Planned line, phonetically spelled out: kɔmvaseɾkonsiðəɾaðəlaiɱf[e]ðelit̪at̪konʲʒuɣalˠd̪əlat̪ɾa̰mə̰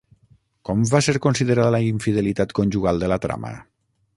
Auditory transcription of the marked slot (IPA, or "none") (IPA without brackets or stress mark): i